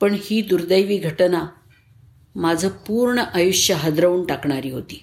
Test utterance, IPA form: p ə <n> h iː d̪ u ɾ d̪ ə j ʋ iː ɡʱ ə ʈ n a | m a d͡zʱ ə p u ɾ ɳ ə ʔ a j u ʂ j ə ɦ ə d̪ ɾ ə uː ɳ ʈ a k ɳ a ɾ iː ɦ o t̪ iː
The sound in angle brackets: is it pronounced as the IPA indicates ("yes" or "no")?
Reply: no